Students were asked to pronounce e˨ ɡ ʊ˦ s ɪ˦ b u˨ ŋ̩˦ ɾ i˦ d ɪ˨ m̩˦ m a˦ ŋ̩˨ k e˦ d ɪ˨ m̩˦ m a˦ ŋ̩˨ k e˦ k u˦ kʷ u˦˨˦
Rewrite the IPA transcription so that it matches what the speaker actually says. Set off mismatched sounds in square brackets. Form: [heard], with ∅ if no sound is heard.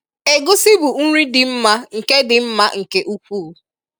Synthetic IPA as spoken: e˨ ɡ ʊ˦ s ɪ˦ b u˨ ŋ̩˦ ɾ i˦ d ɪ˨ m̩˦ m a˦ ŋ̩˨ k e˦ d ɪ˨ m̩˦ m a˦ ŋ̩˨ k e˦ [ʔ] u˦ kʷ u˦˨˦